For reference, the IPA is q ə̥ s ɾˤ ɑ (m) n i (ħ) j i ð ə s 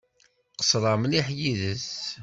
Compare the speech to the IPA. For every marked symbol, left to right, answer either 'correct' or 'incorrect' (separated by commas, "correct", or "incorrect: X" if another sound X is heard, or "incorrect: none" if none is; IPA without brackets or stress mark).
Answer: correct, correct